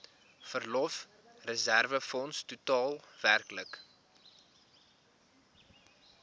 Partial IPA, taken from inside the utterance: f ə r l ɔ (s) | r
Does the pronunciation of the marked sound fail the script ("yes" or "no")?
yes